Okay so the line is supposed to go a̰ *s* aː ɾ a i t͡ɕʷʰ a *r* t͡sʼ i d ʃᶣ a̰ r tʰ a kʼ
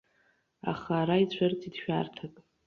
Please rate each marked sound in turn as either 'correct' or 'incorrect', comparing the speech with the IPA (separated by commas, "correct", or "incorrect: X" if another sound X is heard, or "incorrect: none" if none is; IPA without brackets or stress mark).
incorrect: χ, correct